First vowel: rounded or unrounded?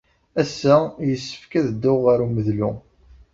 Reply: unrounded